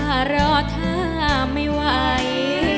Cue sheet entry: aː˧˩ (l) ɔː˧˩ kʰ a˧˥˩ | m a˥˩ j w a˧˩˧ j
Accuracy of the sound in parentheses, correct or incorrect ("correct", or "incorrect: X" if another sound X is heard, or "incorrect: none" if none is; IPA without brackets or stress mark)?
incorrect: ɾ